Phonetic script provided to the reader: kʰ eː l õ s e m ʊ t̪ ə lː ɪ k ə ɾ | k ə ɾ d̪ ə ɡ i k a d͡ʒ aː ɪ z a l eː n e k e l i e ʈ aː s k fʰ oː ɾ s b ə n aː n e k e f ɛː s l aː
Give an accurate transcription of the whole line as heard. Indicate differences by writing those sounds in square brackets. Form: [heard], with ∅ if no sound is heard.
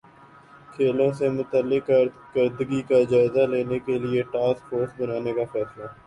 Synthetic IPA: kʰ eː l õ s e m ʊ t̪ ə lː ɪ k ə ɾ | k ə ɾ d̪ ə ɡ i k a d͡ʒ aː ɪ z a l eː n e k e l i e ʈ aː s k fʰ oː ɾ s b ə n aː n e k [a] f ɛː s l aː